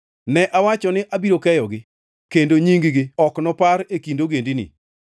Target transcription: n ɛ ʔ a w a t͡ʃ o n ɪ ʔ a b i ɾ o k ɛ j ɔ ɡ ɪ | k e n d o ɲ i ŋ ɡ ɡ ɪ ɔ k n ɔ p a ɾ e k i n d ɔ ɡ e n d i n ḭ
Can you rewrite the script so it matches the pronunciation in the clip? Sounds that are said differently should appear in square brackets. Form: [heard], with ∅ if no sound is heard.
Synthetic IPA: n ɛ ʔ a w a t͡ʃ [ɔ] n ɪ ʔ a b i ɾ o k ɛ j ɔ ɡ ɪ | k e n d o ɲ i ŋ ɡ ɡ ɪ ɔ k n ɔ p a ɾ e k i n d [o] ɡ e n d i n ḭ

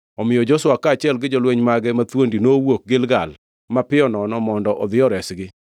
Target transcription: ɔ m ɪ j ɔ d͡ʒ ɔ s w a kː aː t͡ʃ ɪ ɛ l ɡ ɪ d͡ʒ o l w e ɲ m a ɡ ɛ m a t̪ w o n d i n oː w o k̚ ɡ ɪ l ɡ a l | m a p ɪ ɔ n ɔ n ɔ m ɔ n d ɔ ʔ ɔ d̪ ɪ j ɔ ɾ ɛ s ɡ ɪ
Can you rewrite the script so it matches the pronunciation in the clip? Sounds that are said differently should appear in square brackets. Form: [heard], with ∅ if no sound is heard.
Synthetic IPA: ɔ m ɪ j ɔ d͡ʒ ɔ s w a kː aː t͡ʃ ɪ ɛ l ɡ ɪ d͡ʒ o l w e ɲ m a ɡ ɛ m a t̪ w o n d i n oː w o k̚ ɡ ɪ l ɡ a l | m a p ɪ ɔ n ɔ n ɔ m ɔ n d ɔ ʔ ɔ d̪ ɪ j ɔ ɾ ɛ s ɡ ɪ

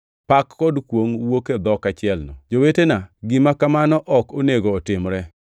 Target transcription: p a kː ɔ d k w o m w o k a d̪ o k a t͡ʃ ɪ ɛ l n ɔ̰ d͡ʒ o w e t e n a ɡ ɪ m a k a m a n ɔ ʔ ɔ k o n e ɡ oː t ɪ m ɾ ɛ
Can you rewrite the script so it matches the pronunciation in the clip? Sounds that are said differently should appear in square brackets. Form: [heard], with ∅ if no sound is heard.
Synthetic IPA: p a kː ɔ d k w o [ŋ] w o k [e] d̪ [ɔ] k a t͡ʃ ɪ ɛ l n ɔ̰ d͡ʒ o w e t e n a ɡ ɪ m a k a m a n ɔ ʔ ɔ k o n e ɡ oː t ɪ m ɾ ɛ

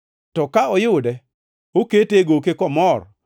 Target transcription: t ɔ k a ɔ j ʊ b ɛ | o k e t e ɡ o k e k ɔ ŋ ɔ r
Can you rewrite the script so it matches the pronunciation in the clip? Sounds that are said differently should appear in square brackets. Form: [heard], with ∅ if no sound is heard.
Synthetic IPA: t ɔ k a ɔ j ʊ [d] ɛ | o k e t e ɡ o k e k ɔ [m] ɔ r

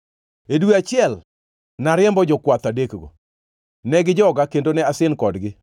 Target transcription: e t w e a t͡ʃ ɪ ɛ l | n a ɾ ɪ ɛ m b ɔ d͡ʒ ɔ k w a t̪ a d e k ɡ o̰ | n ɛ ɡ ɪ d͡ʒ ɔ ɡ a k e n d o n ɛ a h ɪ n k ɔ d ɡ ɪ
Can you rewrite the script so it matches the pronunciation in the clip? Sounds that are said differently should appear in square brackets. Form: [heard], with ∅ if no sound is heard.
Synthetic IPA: e [d] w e a t͡ʃ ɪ ɛ l | n a ɾ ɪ ɛ m b ɔ d͡ʒ ɔ k w a t̪ a d e k ɡ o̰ | n ɛ ɡ ɪ d͡ʒ ɔ ɡ a k e n d o n ɛ a [s] ɪ n k ɔ d ɡ ɪ

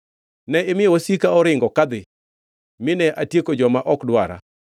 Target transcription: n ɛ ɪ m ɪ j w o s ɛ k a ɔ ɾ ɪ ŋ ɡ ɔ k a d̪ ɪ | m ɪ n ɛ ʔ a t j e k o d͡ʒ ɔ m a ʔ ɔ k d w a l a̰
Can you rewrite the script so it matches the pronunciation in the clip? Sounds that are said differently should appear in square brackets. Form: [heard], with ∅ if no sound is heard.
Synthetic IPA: n ɛ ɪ m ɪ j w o s [i] k a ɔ ɾ ɪ ŋ ɡ ɔ k a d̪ ɪ | m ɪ n ɛ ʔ a t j e k o d͡ʒ ɔ m a ʔ ɔ k d w a [ɾ] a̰

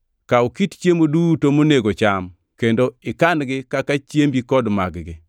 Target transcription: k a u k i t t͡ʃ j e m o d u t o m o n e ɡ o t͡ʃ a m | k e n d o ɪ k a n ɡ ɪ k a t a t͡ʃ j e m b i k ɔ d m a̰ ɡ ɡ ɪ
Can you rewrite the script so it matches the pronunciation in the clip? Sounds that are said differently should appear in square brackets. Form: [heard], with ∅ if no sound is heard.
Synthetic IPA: k a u k i t t͡ʃ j e m o d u t o m o n e ɡ o t͡ʃ a m | k e n d o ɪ k a n ɡ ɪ k a [k] a t͡ʃ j e m b i k ɔ d m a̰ ɡ ɡ ɪ

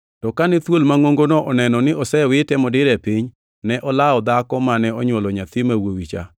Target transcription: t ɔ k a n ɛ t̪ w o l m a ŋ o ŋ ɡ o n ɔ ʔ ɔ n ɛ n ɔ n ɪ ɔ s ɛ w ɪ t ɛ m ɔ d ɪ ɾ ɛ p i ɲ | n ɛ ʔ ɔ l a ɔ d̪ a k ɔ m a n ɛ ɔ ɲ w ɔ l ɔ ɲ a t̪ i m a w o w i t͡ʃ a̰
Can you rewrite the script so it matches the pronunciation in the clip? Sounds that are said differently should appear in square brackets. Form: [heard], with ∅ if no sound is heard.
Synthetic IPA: t ɔ k a n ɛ t̪ w o l m a ŋ o ŋ ɡ o n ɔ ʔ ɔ n ɛ n ɔ n ɪ ɔ s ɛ w ɪ t ɛ m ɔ d ɪ ɾ ɛ p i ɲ | n ɛ ʔ ɔ l a ɔ d̪ a k ɔ m a n ɛ ɔ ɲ w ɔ l ɔ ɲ a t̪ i m a w o w i t͡ʃ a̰

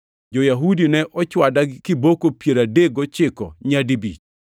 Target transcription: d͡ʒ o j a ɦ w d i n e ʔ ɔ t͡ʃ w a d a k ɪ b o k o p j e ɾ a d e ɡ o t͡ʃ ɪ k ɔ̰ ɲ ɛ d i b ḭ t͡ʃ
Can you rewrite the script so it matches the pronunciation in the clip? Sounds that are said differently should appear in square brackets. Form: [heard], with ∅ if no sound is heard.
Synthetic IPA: d͡ʒ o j a ɦ [u] d i n [ɛ] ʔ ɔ t͡ʃ w a d a k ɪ b o k o p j e ɾ a d e ɡ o t͡ʃ ɪ k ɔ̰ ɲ [a] d i b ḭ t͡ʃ

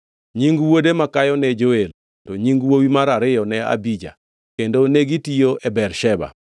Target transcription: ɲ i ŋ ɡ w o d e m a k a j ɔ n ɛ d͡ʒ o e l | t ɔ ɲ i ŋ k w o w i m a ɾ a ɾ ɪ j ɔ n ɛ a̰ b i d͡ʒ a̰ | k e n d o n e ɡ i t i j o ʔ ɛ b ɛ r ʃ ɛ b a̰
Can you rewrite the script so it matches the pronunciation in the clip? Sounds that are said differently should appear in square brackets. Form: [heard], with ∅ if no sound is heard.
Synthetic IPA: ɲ i ŋ ɡ w o d e m a k a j ɔ n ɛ d͡ʒ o e l | t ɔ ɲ i ŋ [ɡ] w o w i m a ɾ a ɾ ɪ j ɔ n ɛ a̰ b i d͡ʒ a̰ | k e n d o n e ɡ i t i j o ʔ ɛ b ɛ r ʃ ɛ b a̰

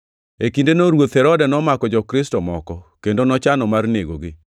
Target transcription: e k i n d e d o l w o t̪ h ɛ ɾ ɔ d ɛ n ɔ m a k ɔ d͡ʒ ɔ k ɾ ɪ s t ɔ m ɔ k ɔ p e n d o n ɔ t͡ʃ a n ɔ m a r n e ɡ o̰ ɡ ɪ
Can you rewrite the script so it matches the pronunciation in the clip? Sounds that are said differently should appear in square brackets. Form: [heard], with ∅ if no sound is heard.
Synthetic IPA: e k i n d e [n] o [ɾ] w o t̪ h ɛ ɾ ɔ d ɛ n ɔ m a k ɔ d͡ʒ ɔ k ɾ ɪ s t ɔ m ɔ k ɔ [k] e n d o n ɔ t͡ʃ a n ɔ m a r n e ɡ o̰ ɡ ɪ

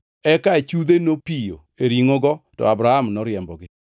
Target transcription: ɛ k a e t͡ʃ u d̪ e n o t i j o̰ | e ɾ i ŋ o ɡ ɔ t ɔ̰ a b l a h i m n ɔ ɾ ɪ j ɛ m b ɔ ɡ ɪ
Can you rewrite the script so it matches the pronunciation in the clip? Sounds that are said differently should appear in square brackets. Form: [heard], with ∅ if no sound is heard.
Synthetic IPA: ɛ k a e t͡ʃ u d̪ e n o [p] i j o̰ | e ɾ i ŋ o ɡ ɔ t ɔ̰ a b [ɾ] a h [a] m n ɔ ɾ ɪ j ɛ m b ɔ ɡ ɪ

